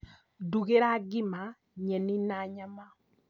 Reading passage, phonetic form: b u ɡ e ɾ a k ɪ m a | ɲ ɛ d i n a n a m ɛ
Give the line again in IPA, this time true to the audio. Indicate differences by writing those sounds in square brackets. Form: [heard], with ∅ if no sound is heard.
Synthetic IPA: [d] u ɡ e ɾ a [ɡ] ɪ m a | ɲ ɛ [n] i n a [ɲ] a m [a]